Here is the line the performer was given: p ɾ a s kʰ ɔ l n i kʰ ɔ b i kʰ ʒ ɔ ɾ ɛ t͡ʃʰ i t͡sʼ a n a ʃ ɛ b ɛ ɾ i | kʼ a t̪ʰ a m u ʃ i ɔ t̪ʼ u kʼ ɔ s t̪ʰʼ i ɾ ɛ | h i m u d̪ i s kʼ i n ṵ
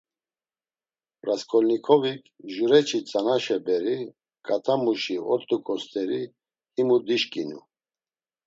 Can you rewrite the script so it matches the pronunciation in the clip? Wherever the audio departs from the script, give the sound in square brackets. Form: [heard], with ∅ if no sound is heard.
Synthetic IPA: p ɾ a s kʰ ɔ l n i kʰ ɔ [v] i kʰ ʒ [u] ɾ ɛ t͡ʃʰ i t͡sʼ a n a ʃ ɛ b ɛ ɾ i | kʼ a t̪ʰ a m u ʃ i ɔ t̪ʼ u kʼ ɔ s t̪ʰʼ [ɛ] ɾ [i] | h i m u d̪ i [ʃ] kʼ i n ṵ